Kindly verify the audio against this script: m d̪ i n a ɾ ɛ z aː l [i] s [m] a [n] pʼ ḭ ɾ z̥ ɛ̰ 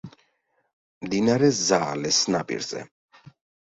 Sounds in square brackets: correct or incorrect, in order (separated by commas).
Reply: incorrect, incorrect, incorrect